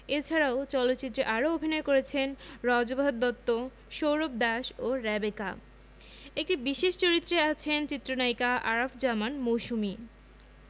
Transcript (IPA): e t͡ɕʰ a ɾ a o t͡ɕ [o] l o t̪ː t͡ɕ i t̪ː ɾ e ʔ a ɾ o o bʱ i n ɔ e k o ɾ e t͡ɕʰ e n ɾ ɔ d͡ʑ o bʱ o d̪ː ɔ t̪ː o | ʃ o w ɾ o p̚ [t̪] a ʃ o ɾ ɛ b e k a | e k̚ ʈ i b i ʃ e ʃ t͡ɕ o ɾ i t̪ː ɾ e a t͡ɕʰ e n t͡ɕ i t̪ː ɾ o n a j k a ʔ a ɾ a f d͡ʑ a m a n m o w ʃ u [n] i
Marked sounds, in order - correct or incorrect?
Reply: incorrect: ɔ, incorrect: d̪, incorrect: m

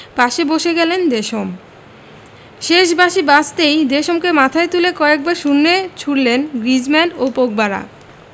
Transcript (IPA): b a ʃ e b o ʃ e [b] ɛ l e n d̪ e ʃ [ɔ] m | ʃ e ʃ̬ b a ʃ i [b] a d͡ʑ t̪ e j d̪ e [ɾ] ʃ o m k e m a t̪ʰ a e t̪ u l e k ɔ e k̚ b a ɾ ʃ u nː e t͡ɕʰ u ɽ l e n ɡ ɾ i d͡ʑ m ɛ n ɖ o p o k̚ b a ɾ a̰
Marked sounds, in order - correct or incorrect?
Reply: incorrect: ɡ, incorrect: o, correct, incorrect: none

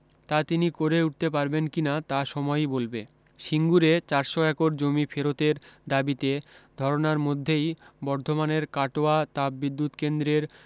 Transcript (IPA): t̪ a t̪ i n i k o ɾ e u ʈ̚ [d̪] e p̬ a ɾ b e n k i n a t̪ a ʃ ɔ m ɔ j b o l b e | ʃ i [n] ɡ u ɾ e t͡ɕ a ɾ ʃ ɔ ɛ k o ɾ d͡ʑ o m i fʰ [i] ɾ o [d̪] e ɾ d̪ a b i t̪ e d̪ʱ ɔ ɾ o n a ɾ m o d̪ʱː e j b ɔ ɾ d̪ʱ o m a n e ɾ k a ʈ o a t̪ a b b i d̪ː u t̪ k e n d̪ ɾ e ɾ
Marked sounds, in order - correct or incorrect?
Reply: incorrect: t̪, incorrect: ŋ, incorrect: e, incorrect: t̪

